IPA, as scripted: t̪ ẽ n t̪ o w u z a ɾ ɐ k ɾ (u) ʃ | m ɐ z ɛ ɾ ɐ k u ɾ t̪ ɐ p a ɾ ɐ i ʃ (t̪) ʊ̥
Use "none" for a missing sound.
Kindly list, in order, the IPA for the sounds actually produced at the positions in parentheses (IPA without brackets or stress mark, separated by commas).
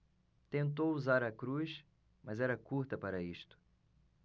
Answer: u, t̪